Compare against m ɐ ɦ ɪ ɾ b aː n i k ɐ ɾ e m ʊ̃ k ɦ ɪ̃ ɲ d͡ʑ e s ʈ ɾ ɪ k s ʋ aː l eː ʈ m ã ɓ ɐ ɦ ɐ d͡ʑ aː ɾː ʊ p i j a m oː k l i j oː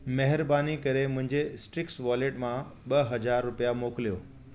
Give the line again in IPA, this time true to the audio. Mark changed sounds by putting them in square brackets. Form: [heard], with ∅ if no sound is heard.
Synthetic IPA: m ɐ ɦ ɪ ɾ b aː n i k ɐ ɾ e m ʊ̃ [∅] ɦ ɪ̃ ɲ d͡ʑ e s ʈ ɾ ɪ k s ʋ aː l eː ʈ m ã ɓ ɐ ɦ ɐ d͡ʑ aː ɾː ʊ p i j a m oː k l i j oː